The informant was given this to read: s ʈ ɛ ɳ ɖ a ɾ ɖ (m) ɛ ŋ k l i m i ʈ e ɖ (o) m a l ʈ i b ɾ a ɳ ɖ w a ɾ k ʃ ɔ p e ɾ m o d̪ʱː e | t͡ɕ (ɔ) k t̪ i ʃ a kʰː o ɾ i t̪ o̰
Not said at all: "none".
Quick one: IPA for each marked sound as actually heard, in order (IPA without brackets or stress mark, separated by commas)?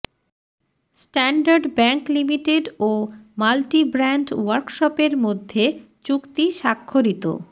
b, o, u